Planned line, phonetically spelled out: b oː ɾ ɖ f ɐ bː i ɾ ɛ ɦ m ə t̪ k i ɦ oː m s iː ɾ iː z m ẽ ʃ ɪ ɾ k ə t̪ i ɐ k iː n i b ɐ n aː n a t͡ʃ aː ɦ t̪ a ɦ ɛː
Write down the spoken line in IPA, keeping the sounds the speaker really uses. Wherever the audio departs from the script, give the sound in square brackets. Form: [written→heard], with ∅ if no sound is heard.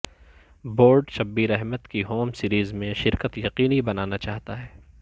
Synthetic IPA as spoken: b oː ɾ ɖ [f→ʃ] ɐ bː i ɾ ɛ ɦ m ə t̪ k i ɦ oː m s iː ɾ iː z m ẽ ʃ ɪ ɾ k ə t̪ [i→j] ɐ [k→q] iː n i b ɐ n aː n a t͡ʃ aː ɦ t̪ a ɦ ɛː